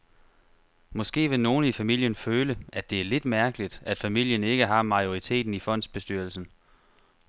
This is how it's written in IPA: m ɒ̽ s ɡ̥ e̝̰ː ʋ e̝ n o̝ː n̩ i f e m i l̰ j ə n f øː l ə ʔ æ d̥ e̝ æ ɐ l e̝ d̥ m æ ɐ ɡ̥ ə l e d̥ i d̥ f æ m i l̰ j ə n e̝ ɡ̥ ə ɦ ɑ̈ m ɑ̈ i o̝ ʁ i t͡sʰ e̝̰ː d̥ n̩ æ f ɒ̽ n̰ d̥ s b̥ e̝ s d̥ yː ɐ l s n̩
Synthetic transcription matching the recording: m ɒ̽ s ɡ̥ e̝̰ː ʋ e̝ n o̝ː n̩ i f æ m i l̰ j ə n f øː l ə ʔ æ d̥ e̝ æ ɐ l e̝ d̥ m æ ɐ ɡ̥ ə l i d̥ æ d̥ f æ m i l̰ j ə n e̝ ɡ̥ ə ɦ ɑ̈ m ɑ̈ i o̝ ʁ i t͡sʰ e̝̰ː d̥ n̩ i f ɒ̽ n̰ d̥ s b̥ e̝ s d̥ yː ɐ l s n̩